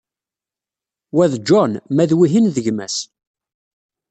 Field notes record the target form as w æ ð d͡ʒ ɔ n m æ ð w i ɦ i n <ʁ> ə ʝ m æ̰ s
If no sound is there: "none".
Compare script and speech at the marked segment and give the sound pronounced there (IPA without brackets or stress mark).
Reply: ð